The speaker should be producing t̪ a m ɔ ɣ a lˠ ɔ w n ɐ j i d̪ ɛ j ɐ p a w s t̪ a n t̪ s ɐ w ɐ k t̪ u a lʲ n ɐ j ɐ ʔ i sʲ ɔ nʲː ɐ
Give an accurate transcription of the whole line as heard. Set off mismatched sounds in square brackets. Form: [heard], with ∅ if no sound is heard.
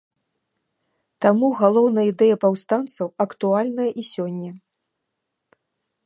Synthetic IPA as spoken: t̪ a m [u] ɣ a lˠ ɔ w n ɐ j i d̪ ɛ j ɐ p a w s t̪ a n t̪ s ɐ w ɐ k t̪ u a lʲ n ɐ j ɐ ʔ i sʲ ɔ nʲː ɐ